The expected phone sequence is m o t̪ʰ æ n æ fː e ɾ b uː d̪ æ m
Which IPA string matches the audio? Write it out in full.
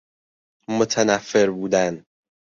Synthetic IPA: m o t̪ʰ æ n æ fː e ɾ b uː d̪ æ n